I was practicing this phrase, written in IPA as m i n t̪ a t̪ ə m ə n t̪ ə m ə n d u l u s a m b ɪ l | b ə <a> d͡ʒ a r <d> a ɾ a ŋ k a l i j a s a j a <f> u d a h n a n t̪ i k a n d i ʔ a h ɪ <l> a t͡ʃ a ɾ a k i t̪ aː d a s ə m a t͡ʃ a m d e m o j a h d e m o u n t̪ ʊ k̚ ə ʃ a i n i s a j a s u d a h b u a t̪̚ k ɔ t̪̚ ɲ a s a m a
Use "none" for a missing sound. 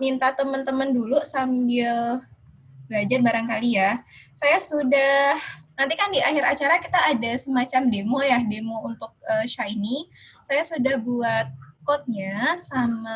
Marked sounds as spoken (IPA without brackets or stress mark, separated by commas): a, b, s, ɾ